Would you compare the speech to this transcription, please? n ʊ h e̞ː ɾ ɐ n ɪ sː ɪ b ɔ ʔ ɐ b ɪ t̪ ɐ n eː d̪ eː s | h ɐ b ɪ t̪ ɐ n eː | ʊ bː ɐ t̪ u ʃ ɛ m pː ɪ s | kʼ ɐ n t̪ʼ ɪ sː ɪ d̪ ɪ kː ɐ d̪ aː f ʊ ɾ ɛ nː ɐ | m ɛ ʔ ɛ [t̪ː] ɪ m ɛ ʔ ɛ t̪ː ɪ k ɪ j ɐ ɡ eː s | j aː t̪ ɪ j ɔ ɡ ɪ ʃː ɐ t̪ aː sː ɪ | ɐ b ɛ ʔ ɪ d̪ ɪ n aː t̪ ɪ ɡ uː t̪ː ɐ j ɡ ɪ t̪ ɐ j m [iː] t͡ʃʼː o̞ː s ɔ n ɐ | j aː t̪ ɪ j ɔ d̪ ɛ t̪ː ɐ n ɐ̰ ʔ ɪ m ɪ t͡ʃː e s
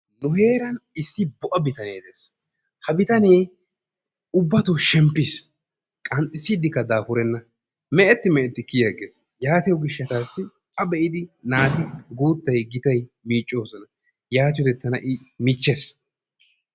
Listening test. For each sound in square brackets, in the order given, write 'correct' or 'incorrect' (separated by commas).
correct, correct